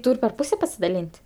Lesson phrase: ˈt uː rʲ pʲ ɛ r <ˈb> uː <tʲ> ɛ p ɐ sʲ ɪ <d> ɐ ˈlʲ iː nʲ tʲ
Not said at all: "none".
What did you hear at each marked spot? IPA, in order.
p, sʲ, d

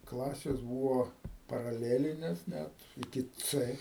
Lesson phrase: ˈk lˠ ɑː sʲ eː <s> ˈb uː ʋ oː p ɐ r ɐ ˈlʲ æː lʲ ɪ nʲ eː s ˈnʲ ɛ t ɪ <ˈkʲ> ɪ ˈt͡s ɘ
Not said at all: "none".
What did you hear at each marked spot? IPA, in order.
s, kʲ

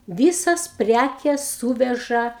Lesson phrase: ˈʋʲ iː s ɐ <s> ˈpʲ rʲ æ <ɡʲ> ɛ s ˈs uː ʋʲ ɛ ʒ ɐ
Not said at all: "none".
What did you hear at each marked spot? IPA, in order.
s, kʲ

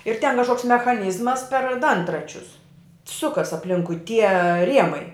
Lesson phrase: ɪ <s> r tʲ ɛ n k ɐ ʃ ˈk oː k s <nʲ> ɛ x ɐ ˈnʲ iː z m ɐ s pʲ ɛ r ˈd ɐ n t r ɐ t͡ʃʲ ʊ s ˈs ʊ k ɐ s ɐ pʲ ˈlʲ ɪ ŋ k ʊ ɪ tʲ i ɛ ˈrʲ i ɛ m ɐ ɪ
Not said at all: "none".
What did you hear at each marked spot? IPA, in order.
none, mʲ

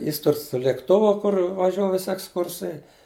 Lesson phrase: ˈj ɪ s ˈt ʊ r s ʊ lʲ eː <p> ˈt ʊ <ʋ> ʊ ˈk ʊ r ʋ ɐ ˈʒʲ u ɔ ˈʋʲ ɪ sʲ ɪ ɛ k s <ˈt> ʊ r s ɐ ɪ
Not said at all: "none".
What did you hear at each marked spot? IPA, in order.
k, ʋ, k

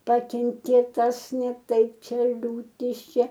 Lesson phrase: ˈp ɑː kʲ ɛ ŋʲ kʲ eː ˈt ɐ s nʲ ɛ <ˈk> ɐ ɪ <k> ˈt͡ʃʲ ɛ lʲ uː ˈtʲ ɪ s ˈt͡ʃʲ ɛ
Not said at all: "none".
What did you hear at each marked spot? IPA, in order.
t, p

